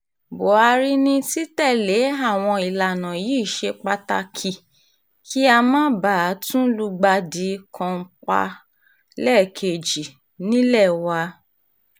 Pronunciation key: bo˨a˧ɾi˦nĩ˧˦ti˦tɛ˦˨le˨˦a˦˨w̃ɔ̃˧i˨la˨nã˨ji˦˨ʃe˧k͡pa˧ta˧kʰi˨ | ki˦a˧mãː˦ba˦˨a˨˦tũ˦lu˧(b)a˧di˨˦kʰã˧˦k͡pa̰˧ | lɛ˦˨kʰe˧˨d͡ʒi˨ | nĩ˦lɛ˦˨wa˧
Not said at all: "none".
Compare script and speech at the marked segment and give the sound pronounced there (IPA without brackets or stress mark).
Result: ɡ͡b